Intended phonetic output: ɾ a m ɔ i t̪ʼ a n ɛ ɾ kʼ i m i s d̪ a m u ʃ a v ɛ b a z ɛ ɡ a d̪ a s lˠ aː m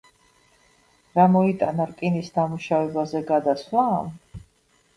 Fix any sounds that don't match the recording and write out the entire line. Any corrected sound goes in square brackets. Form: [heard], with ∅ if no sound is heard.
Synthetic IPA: ɾ a m ɔ i t̪ʼ a n [a] ɾ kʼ i [n] i s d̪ a m u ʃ a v ɛ b a z ɛ ɡ a d̪ a s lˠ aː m